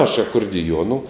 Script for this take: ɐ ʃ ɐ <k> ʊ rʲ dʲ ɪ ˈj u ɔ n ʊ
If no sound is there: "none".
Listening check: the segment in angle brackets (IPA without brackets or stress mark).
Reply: k